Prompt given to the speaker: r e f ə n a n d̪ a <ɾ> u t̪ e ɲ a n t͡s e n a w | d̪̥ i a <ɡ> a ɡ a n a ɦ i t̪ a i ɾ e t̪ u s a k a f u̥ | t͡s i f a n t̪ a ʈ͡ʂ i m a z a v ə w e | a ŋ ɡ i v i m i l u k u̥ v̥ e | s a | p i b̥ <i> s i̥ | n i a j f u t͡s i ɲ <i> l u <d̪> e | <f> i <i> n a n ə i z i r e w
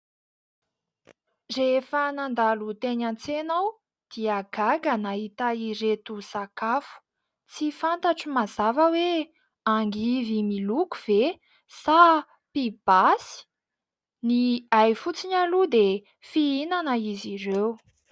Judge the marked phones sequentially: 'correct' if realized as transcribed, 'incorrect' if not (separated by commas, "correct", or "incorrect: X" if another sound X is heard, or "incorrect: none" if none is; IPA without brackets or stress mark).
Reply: incorrect: l, correct, incorrect: a, incorrect: a, correct, correct, correct